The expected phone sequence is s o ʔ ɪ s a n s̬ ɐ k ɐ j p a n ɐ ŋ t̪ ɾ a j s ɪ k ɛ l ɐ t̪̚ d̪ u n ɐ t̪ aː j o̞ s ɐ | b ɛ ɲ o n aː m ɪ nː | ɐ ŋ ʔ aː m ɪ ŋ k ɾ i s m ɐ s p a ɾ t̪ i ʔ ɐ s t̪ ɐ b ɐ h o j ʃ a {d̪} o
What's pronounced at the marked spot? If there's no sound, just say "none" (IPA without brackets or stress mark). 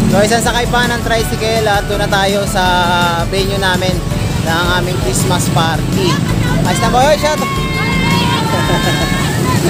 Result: t̪